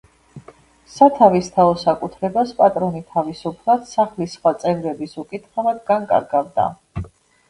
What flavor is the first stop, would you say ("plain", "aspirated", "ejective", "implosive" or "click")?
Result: aspirated